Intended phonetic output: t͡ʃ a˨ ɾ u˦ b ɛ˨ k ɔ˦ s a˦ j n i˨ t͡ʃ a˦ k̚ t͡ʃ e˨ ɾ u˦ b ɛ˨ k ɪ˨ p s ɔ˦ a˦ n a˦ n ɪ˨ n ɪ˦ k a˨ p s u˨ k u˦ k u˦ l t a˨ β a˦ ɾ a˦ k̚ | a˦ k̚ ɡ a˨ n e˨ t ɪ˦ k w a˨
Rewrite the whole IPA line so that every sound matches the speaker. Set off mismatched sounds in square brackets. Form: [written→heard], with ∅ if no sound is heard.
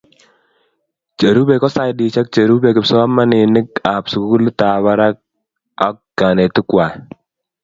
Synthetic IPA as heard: t͡ʃ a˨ ɾ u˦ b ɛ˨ k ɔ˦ s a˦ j [n→d] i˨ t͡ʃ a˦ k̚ t͡ʃ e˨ ɾ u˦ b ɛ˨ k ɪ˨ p s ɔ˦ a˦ [n→m] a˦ n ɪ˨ n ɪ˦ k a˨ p s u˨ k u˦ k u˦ l t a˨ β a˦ ɾ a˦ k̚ | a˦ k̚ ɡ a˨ n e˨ t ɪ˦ k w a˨